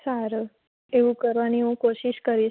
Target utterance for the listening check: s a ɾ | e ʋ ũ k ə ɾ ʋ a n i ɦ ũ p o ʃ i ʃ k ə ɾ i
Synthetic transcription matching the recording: s a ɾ | e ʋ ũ k ə ɾ ʋ a n i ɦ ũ k o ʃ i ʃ k ə ɾ i